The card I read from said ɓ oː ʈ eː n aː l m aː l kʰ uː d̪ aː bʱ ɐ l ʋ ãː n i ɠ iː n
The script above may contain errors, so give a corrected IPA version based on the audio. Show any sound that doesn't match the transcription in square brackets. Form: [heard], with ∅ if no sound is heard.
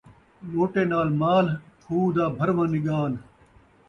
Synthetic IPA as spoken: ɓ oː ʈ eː n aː l m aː l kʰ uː d̪ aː bʱ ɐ [ɾ] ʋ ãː n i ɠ [aː] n